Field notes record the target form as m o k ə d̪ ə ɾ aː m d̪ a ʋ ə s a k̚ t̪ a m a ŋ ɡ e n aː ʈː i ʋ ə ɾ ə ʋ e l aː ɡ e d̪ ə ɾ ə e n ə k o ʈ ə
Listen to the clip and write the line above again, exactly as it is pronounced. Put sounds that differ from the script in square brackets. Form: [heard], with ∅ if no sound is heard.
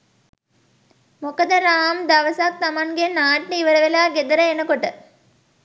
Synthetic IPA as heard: m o k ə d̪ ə ɾ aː m d̪ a ʋ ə s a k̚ t̪ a m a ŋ ɡ e n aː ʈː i ʋ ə ɾ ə ʋ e l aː ɡ e d̪ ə ɾ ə e n ə k o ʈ ə